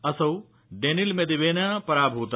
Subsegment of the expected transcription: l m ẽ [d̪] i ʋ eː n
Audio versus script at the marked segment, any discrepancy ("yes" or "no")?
no